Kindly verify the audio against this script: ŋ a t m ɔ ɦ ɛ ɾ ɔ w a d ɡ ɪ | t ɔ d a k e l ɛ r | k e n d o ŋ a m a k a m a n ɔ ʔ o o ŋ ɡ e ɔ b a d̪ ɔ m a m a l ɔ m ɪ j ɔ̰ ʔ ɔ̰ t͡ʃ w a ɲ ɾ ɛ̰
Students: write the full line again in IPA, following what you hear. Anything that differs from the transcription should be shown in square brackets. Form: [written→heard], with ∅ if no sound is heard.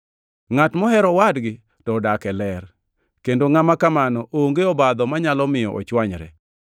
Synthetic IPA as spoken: ŋ a t m ɔ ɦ ɛ ɾ ɔ w a d ɡ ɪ | t ɔ d a k [e→ɛ] l ɛ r | k e n d o ŋ a m a k a m a n ɔ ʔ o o ŋ ɡ e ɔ b a d̪ ɔ m a [m→ɲ] a l ɔ m ɪ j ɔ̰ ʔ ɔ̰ t͡ʃ w a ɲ ɾ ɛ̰